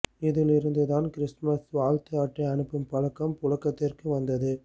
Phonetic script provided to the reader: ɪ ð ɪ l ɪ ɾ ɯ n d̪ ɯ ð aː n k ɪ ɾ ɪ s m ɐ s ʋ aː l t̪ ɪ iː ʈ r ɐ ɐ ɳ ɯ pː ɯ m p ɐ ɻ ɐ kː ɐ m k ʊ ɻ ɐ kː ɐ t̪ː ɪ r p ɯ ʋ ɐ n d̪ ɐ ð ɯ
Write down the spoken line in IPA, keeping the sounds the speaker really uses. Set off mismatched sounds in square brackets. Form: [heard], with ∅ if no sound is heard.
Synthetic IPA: ɪ ð ɪ l ɪ ɾ ɯ n d̪ ɯ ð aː n k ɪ ɾ ɪ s m ɐ s ʋ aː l t̪ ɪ [aː] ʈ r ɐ ɐ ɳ ɯ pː ɯ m p ɐ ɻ ɐ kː ɐ m [p] ʊ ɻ ɐ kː ɐ t̪ː ɪ r [k] ɯ ʋ ɐ n d̪ ɐ ð ɯ